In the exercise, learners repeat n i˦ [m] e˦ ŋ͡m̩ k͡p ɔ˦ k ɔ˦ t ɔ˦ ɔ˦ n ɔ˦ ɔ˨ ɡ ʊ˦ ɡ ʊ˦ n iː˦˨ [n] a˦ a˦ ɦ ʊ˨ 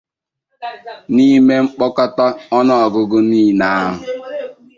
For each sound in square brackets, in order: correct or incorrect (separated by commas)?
correct, correct